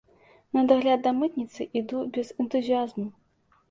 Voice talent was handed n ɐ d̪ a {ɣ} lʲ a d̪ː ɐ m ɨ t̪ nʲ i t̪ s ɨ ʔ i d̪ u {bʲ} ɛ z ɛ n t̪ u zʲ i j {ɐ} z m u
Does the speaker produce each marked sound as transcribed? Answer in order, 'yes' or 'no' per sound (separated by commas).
yes, yes, no